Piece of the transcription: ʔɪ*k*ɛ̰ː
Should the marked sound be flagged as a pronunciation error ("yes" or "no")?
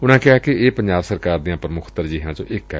no